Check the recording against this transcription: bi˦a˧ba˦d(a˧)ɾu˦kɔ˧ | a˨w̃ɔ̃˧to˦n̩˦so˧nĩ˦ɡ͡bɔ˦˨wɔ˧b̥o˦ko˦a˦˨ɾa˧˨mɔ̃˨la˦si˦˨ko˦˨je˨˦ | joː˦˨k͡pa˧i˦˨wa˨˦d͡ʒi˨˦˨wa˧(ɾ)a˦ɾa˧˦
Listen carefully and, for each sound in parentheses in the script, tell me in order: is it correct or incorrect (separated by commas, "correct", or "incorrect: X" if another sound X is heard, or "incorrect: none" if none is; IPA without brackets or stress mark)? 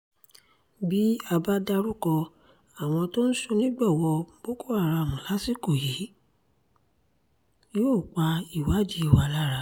correct, incorrect: l